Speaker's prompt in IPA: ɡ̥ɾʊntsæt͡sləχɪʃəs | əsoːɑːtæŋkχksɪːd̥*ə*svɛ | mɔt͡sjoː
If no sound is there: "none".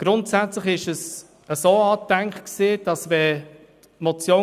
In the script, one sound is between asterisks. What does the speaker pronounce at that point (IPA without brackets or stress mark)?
ɑ